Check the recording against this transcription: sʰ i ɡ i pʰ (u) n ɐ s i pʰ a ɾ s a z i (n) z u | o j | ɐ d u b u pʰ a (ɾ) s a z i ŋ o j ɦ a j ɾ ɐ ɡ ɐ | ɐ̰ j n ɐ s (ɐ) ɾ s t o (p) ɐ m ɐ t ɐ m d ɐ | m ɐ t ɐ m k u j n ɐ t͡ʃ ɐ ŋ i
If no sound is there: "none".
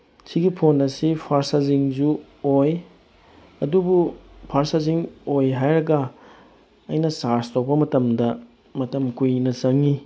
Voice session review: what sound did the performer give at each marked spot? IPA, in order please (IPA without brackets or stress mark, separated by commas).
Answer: o, ŋ, ɾ, a, p